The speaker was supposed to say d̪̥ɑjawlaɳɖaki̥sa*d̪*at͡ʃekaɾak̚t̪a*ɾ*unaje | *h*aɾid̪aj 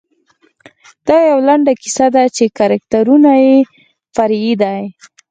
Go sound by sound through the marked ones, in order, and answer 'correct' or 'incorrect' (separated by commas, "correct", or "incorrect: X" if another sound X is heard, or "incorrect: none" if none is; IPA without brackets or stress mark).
correct, correct, incorrect: f